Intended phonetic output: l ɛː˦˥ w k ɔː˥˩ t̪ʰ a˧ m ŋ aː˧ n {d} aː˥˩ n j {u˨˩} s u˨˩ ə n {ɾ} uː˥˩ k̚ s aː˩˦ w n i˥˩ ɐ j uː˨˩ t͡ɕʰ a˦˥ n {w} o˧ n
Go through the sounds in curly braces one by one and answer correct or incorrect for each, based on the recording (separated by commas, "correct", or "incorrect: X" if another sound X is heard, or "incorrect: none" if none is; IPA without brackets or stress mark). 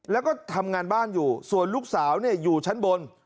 incorrect: b, incorrect: uː˨˩, incorrect: l, incorrect: b